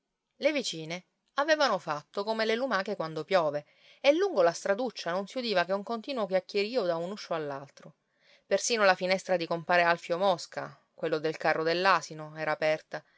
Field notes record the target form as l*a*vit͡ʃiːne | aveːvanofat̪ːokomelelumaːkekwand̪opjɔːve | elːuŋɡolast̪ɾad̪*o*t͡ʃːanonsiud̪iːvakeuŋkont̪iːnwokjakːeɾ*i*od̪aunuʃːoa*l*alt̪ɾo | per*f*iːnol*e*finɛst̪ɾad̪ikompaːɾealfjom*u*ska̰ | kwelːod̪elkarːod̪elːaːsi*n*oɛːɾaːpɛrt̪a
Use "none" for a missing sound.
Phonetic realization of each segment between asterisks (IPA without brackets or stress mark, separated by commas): e, u, iː, lː, s, a, ɔ, n